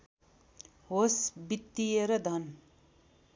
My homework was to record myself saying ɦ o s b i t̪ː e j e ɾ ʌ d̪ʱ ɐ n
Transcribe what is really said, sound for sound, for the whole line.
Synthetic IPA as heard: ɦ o s b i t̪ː i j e ɾ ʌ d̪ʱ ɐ n

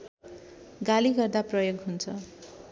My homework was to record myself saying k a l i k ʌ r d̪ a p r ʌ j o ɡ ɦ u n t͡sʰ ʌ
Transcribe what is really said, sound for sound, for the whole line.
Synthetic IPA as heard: ɡ a l i ɡ ʌ r d̪ a p r ʌ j o ɡ ɦ u n t͡sʰ ʌ

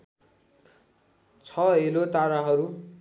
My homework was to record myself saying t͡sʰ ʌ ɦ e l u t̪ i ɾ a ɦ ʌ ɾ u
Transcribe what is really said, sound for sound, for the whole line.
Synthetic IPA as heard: t͡sʰ ʌ ɦ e l o t̪ a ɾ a ɦ ʌ ɾ u

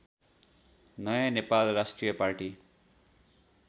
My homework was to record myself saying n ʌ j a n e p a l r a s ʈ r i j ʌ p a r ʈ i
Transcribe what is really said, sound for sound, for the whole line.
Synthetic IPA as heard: n ʌ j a n e p a l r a s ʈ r i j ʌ p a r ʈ i

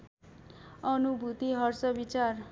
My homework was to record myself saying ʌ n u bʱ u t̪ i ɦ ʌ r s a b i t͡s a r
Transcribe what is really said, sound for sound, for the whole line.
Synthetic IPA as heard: ʌ n u bʱ u t̪ i ɦ ʌ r s ʌ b i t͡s a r

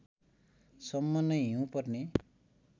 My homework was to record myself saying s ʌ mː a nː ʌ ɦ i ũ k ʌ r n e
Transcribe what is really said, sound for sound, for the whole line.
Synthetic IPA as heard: s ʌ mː ʌ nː ʌ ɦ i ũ p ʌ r n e

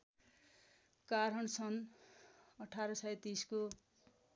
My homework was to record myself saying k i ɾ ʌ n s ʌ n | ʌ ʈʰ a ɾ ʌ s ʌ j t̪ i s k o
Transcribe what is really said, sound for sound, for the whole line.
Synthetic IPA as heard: k a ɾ ʌ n s ʌ n | ʌ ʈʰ a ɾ ʌ s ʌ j t̪ i s k o

